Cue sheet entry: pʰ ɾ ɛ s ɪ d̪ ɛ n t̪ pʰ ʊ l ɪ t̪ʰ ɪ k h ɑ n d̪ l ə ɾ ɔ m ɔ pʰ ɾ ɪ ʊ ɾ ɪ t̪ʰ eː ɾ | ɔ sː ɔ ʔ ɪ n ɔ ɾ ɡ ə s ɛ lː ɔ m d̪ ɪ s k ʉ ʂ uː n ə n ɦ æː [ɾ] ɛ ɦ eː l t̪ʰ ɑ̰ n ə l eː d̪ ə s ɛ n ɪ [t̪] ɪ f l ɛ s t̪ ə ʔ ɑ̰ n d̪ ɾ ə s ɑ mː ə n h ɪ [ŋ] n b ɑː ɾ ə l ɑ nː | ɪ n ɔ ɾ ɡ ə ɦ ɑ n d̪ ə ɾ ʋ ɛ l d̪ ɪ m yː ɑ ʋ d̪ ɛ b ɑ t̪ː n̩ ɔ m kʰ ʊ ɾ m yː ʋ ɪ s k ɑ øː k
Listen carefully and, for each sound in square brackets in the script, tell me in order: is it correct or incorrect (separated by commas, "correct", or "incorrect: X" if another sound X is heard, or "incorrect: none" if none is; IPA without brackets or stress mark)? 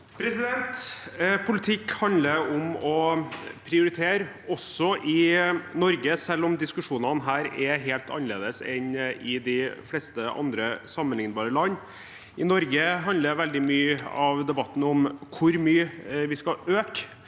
correct, incorrect: d̪, correct